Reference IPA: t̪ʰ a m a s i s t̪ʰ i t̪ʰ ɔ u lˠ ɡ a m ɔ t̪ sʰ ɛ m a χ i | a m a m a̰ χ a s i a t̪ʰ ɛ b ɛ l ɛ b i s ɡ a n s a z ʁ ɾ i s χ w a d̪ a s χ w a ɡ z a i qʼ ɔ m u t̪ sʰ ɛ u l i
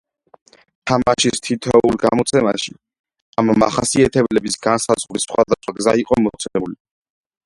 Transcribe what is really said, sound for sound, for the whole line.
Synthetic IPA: t̪ʰ a m a ʃ i s t̪ʰ i t̪ʰ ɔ u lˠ ɡ a m ɔ t̪ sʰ ɛ m a ʃ i | a m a m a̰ χ a s i a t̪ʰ ɛ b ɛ l ɛ b i s ɡ a n s a z ʁ ɾ i s χ w a d̪ a s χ w a ɡ z a i qʼ ɔ m ɔ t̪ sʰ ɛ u l i